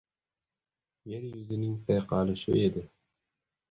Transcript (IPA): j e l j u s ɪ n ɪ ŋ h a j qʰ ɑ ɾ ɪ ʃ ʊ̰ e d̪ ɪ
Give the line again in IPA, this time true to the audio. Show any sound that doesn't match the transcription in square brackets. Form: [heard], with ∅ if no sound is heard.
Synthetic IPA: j e [ɾ] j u [z] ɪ n ɪ ŋ [s] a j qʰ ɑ [l] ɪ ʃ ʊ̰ e d̪ ɪ